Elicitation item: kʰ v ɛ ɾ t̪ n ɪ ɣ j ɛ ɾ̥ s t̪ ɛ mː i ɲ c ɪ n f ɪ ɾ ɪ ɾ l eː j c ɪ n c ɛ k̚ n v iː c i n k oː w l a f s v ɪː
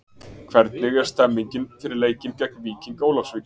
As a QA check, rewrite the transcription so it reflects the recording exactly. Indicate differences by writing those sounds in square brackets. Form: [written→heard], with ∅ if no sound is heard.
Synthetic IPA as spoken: kʰ v ɛ ɾ t̪ n ɪ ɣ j ɛ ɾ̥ s t̪ ɛ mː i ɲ c ɪ n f ɪ ɾ ɪ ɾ l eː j c ɪ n c ɛ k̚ n v iː c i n k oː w l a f s v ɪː